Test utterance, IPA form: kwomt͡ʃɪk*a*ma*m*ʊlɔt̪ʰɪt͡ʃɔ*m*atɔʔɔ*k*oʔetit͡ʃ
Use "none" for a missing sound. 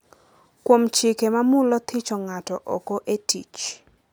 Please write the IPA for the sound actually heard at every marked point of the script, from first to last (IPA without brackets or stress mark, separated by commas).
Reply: e, m, ŋ, k